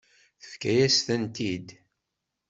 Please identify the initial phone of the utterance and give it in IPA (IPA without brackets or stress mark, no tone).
θ